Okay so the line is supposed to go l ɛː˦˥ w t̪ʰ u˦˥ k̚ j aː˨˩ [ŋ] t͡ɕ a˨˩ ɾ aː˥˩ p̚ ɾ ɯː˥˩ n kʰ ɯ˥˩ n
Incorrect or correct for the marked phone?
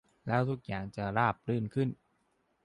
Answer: correct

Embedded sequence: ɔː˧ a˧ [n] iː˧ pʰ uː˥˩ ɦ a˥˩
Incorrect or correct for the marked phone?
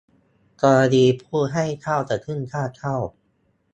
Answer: incorrect: d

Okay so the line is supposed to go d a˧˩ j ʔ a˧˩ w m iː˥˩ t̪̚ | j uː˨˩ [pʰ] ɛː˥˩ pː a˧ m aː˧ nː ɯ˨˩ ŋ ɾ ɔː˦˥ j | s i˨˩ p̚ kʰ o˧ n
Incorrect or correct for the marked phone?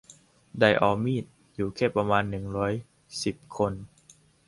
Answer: incorrect: kʰ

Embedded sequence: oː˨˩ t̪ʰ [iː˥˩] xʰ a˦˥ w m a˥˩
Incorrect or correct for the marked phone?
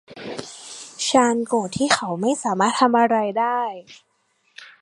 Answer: correct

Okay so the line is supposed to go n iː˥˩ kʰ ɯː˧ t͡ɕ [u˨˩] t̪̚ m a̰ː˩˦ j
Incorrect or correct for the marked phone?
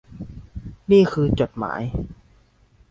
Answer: incorrect: o˨˩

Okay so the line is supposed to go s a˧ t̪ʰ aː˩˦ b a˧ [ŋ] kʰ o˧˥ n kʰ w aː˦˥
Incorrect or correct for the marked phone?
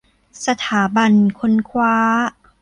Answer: incorrect: n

